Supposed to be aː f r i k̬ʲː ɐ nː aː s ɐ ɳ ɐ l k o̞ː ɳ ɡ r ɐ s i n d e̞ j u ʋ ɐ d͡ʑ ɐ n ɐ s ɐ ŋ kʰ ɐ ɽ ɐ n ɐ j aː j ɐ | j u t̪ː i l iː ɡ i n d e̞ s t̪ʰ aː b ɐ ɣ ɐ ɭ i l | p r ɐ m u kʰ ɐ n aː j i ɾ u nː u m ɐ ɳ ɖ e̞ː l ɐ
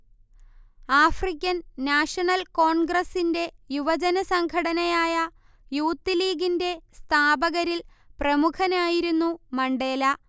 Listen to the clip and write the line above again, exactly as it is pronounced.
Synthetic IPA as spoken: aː f r i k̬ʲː ɐ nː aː ʂ ɐ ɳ ɐ l k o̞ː ɳ ɡ r ɐ s i n d e̞ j u ʋ ɐ d͡ʑ ɐ n ɐ s ɐ ŋ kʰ ɐ ɽ ɐ n ɐ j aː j ɐ | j uː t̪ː i l iː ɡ i n d e̞ s t̪ʰ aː b ɐ ɣ ɐ ɾ i l | p r ɐ m u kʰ ɐ n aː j i ɾ u nː u m ɐ ɳ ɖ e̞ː l ɐ